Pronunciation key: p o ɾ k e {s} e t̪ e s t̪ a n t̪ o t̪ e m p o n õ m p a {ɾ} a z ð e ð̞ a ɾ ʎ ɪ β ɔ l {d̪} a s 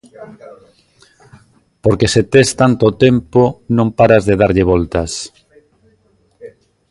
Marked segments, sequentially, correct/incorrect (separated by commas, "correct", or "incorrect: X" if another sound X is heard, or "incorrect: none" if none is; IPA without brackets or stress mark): correct, correct, incorrect: t̪